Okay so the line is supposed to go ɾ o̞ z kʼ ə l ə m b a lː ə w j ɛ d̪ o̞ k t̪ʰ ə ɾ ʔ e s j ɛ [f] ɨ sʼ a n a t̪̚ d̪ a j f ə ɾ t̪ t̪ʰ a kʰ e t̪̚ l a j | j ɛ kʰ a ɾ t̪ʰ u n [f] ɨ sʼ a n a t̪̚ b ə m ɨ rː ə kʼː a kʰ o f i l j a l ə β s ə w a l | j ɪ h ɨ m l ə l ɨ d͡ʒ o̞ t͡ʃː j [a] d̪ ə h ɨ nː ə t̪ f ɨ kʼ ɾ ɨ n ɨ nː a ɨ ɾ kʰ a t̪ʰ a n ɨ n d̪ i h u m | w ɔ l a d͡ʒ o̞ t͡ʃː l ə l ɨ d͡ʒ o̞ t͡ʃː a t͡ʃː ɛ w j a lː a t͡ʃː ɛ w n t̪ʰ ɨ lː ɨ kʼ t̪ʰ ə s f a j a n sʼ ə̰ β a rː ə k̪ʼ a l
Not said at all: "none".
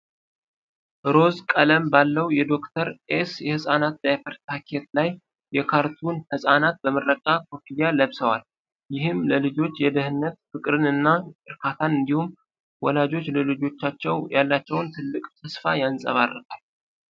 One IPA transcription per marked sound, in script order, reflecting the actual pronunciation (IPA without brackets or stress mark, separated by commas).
h, h, ɛ